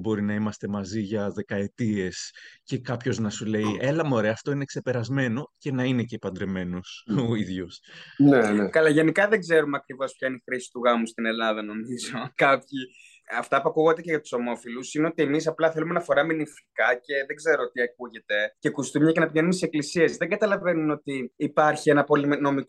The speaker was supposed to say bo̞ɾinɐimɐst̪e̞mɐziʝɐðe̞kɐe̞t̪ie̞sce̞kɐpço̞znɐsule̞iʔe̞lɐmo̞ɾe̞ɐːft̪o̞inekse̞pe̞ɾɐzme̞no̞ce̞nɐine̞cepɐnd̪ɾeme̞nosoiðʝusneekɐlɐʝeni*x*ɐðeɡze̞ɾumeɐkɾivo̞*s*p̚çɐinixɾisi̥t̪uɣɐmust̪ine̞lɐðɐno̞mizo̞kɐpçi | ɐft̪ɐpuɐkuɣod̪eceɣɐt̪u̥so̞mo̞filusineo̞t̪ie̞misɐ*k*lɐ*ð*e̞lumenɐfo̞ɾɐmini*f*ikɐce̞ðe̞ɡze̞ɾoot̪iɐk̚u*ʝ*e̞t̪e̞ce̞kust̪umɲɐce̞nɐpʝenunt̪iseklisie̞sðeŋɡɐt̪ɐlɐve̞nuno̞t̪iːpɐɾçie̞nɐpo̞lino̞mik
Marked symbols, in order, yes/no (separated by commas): no, yes, no, no, yes, yes